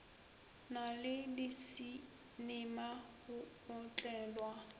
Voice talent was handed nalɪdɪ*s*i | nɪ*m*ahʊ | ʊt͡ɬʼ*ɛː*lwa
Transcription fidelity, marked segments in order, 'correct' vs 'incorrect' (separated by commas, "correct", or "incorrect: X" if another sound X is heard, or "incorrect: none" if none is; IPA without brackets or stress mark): correct, correct, correct